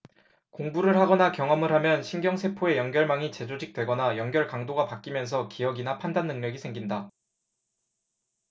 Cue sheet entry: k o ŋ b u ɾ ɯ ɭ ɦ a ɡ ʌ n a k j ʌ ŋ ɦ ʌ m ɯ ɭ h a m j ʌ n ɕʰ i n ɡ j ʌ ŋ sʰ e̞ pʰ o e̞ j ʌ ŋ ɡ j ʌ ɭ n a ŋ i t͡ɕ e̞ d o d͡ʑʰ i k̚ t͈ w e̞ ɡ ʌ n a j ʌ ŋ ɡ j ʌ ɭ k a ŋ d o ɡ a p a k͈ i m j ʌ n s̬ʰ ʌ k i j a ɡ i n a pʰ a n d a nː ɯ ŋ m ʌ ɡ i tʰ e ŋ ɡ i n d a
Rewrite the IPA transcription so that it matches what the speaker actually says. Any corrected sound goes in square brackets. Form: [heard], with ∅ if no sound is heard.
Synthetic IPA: k o ŋ b u ɾ ɯ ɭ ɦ a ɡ ʌ n a k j ʌ ŋ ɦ ʌ m ɯ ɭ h a m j ʌ n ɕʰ i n ɡ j ʌ ŋ sʰ e̞ pʰ o e̞ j ʌ ŋ ɡ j ʌ ɭ [m] a ŋ i t͡ɕ e̞ [d͡ʑ] o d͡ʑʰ i k̚ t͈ w e̞ ɡ ʌ n a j ʌ ŋ ɡ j ʌ ɭ k a ŋ d o ɡ a p a k͈ i m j ʌ n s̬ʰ ʌ k i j [ʌ] ɡ i n a pʰ a n d a nː ɯ ŋ [ɲ] ʌ ɡ i [sʰ] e ŋ ɡ i n d a

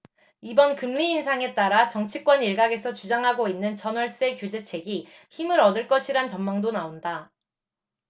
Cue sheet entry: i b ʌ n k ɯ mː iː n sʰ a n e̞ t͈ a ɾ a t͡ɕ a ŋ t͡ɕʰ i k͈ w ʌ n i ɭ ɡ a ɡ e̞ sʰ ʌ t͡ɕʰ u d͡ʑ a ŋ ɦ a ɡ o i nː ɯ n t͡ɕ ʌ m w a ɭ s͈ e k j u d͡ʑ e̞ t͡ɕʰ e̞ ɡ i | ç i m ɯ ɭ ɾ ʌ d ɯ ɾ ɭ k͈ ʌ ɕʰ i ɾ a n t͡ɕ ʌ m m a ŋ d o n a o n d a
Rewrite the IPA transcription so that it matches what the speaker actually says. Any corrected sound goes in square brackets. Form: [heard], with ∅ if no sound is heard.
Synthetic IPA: i b ʌ n k ɯ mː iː n sʰ a [ŋ] e̞ t͈ a ɾ a t͡ɕ [ʌ] ŋ t͡ɕʰ i k͈ w ʌ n i ɭ ɡ a ɡ e̞ sʰ ʌ [t͡ɕ] u d͡ʑ a ŋ ɦ a ɡ o i nː ɯ n t͡ɕ ʌ [n] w [ʌ] ɭ s͈ e k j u d͡ʑ e̞ t͡ɕʰ e̞ ɡ i | ç i m ɯ [∅] ɾ ʌ d ɯ [∅] ɭ k͈ ʌ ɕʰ i ɾ a n t͡ɕ ʌ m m a ŋ d o n a o n d a

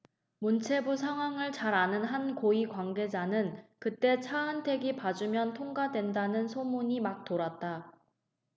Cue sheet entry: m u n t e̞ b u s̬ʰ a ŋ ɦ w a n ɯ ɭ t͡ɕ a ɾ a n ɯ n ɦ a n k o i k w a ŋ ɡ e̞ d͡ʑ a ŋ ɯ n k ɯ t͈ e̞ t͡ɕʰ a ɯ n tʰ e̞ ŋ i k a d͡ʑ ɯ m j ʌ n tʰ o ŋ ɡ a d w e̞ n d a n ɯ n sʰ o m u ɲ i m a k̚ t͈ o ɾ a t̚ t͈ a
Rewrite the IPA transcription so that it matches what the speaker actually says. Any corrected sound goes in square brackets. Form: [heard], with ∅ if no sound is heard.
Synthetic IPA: m u n [t͡ɕʰ] e̞ b u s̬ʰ a ŋ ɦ w a [ŋ] ɯ ɭ t͡ɕ a ɾ a n ɯ n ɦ a n k o i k w a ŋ ɡ e̞ d͡ʑ a [n] ɯ n k ɯ t͈ e̞ t͡ɕʰ a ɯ n tʰ e̞ [ɡ] i [p] a d͡ʑ [u] m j ʌ n tʰ o ŋ ɡ a d w e̞ n d a n ɯ n sʰ o m u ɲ i m a k̚ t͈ o ɾ a t̚ t͈ a

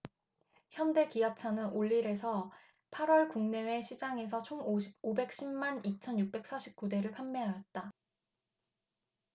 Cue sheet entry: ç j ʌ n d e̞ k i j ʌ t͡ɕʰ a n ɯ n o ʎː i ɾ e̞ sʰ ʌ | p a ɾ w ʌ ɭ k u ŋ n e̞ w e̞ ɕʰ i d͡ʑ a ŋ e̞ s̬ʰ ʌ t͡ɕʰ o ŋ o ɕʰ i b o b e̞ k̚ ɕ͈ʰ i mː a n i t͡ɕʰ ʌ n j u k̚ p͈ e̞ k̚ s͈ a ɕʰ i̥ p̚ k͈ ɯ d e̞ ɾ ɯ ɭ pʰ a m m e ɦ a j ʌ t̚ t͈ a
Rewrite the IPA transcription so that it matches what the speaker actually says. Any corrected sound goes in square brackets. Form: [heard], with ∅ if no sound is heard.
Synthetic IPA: ç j ʌ n d e̞ k i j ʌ t͡ɕʰ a n ɯ n o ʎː i ɾ e̞ sʰ ʌ | [pʰ] a ɾ w ʌ ɭ k u ŋ n e̞ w e̞ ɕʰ i d͡ʑ a ŋ e̞ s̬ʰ ʌ t͡ɕʰ o ŋ o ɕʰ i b o b e̞ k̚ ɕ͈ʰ i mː a n i t͡ɕʰ ʌ n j u k̚ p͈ e̞ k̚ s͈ a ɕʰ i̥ p̚ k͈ [u] d e̞ ɾ ɯ ɭ pʰ a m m e ɦ a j ʌ t̚ t͈ a

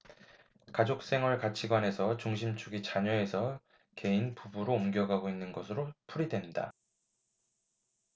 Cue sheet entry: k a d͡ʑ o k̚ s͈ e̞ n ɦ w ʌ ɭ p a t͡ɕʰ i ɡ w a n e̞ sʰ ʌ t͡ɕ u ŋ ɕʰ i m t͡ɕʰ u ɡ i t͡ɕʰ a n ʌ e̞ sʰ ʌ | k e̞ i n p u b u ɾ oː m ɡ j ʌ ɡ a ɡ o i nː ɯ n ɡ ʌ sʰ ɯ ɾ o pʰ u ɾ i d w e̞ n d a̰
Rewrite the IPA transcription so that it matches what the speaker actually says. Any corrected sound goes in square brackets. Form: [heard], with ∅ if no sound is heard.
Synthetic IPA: k a d͡ʑ o k̚ s͈ e̞ [ŋ] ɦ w ʌ ɭ [k] a t͡ɕʰ i ɡ w a n e̞ sʰ ʌ t͡ɕ u ŋ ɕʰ i m t͡ɕʰ u ɡ i [t͡ɕ] a [ɲ] ʌ e̞ sʰ ʌ | k e̞ i n p u b u ɾ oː m ɡ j ʌ ɡ a ɡ o i nː ɯ n ɡ ʌ sʰ ɯ ɾ o pʰ u ɾ i d w e̞ n d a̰

